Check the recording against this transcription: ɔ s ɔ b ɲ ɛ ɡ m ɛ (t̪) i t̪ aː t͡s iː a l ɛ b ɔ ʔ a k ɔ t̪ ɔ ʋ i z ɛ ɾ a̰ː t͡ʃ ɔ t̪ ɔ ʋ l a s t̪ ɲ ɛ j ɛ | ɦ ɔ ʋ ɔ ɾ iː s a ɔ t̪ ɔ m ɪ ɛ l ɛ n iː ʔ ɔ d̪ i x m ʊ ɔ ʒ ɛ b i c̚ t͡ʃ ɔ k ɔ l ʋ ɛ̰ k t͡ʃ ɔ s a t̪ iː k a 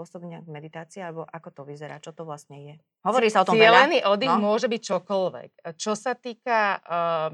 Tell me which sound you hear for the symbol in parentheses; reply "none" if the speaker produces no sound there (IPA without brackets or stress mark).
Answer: d̪